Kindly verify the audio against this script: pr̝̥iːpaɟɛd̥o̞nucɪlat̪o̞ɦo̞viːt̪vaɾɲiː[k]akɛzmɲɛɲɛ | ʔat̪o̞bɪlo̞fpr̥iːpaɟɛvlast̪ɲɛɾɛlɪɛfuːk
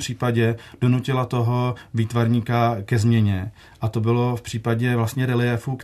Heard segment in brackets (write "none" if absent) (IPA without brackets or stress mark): k